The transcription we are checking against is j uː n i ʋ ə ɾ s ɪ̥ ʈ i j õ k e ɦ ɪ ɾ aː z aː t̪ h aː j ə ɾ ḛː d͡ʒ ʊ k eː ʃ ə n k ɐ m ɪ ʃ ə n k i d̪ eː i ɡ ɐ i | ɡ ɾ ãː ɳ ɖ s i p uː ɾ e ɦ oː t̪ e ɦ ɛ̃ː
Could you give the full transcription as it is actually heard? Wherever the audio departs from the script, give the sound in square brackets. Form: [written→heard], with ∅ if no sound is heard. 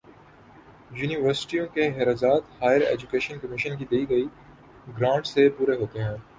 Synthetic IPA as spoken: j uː n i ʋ ə ɾ s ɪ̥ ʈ i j õ k e ɦ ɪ ɾ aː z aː t̪ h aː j ə ɾ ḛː d͡ʒ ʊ k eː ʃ ə n k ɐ m ɪ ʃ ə n k i d̪ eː i ɡ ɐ i | ɡ ɾ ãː ɳ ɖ s [i→e] p uː ɾ e ɦ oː t̪ e ɦ ɛ̃ː